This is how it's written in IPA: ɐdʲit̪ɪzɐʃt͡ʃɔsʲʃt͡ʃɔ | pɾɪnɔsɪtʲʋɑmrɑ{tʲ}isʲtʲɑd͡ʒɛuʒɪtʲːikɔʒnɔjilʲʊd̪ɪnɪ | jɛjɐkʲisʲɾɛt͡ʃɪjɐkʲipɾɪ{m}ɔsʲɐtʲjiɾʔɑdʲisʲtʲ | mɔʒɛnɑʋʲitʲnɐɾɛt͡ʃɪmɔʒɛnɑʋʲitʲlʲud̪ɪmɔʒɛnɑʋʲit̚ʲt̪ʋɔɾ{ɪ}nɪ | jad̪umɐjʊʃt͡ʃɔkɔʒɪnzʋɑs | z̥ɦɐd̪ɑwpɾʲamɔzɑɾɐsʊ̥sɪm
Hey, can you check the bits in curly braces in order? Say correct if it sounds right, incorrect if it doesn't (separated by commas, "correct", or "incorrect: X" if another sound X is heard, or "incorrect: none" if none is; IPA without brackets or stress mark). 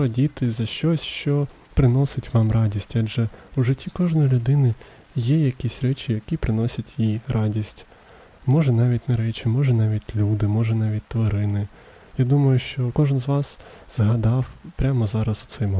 incorrect: dʲ, incorrect: n, correct